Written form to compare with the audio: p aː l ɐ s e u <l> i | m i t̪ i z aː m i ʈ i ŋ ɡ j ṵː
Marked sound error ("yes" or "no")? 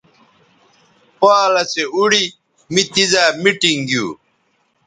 yes